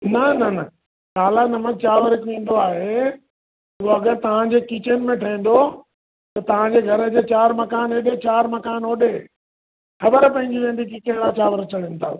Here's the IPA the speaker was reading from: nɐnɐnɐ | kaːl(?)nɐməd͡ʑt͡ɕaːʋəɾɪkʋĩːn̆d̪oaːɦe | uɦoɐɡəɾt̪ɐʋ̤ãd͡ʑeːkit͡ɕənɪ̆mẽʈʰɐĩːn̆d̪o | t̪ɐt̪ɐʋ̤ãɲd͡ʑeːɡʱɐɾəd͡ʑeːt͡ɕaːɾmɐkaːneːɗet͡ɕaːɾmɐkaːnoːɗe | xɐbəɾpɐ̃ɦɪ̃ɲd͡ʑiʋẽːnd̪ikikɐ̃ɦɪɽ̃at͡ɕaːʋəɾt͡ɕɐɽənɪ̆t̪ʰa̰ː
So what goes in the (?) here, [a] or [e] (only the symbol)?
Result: a